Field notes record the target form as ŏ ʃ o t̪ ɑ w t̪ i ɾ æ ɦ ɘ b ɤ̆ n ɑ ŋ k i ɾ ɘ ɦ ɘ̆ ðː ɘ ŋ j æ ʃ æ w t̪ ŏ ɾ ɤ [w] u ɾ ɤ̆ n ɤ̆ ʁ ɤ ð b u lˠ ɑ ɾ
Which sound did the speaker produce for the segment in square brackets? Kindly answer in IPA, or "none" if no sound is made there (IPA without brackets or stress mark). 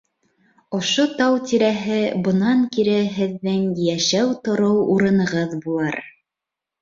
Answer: w